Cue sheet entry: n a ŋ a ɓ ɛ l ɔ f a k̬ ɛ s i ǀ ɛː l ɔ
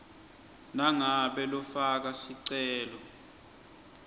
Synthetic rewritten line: n a ŋ a ɓ ɛ l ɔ f a k̬ a s i ǀ ɛː l ɔ